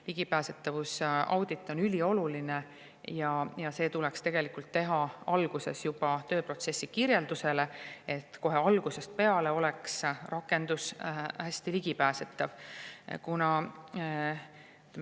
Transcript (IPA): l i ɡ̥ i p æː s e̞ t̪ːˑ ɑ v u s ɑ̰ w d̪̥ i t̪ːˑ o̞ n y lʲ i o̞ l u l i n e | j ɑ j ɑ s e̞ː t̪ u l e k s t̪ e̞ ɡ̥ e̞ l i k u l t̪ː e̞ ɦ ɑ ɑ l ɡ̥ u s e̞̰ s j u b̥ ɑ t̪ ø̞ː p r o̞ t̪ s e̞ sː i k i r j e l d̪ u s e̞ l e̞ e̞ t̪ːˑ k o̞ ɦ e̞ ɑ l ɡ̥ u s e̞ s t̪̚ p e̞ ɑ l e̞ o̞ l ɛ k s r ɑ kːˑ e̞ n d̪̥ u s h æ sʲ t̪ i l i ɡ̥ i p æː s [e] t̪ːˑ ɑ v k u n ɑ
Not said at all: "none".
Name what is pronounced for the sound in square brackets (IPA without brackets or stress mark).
e